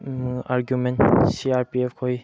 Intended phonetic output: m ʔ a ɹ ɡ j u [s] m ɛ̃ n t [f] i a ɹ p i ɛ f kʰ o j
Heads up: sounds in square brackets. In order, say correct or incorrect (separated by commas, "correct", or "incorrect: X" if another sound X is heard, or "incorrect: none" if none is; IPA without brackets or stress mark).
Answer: incorrect: none, incorrect: s